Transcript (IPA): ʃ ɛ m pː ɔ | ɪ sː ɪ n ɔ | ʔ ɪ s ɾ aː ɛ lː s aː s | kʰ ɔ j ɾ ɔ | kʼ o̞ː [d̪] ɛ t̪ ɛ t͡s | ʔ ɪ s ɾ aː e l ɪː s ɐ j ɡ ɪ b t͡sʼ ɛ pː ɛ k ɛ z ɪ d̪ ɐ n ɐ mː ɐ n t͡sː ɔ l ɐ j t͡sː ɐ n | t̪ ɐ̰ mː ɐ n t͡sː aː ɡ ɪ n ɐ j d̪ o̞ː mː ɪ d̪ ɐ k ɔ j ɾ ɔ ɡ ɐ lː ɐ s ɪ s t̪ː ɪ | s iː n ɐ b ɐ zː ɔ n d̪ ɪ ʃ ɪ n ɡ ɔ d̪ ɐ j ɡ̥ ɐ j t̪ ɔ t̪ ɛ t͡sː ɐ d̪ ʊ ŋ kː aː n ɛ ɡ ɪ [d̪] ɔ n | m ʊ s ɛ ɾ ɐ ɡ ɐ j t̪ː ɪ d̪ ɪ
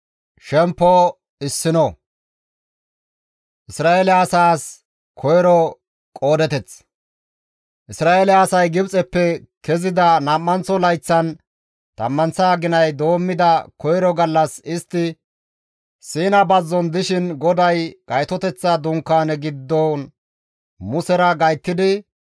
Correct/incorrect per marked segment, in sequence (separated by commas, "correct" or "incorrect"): correct, incorrect